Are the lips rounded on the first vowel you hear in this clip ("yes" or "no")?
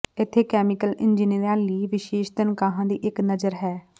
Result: no